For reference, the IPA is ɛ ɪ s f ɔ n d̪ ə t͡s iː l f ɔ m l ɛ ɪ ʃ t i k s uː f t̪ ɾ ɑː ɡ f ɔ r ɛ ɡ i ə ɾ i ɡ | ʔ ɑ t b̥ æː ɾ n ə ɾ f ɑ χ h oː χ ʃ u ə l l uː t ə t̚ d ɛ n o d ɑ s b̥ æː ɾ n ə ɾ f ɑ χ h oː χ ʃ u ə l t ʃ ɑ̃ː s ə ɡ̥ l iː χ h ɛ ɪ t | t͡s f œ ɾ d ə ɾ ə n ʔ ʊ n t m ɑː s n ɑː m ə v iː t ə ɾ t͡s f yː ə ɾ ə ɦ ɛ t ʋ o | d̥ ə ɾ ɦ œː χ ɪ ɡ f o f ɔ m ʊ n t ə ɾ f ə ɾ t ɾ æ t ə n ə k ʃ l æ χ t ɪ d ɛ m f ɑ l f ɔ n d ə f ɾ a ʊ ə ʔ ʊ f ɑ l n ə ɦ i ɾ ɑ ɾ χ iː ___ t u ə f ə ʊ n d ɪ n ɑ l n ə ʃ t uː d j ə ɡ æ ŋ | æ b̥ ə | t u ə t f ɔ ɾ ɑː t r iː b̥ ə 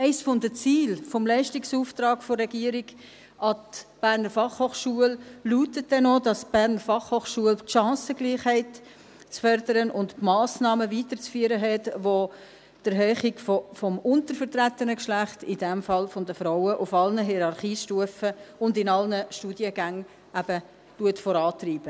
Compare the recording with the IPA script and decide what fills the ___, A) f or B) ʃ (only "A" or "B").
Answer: B